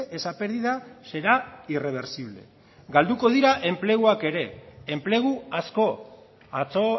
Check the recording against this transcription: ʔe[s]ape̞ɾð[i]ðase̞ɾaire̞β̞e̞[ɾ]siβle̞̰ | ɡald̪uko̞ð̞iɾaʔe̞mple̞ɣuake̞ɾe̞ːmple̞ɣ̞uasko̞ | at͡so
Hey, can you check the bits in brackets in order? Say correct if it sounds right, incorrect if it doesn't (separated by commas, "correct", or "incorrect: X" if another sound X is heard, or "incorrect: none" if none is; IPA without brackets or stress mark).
correct, correct, correct